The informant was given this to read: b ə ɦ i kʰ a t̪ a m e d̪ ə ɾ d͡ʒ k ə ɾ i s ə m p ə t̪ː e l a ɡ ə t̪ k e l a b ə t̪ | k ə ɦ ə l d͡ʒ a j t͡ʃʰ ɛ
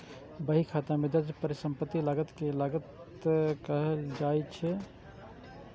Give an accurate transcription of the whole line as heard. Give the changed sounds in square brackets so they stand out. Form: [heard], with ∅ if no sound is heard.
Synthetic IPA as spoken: b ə ɦ i kʰ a t̪ a m e d̪ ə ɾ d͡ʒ [p] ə ɾ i s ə m p ə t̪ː [i] l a ɡ ə t̪ k e l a [ɡ] ə t̪ | k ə ɦ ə l d͡ʒ a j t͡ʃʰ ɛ